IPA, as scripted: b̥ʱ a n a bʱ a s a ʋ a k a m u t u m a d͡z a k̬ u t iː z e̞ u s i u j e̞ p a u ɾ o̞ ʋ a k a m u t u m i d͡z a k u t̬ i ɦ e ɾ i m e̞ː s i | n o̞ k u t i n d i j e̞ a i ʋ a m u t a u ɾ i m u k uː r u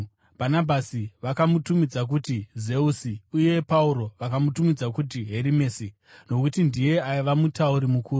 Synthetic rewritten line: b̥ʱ a n a bʱ a s i ʋ a k a m u t u m i d͡z a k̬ u t i z e̞ u s i u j e̞ p a u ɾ o̞ ʋ a k a m u t u m i d͡z a k u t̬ i ɦ e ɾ i m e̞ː s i | n o̞ k u t i n d i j e̞ a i ʋ a m u t a u ɾ i m u k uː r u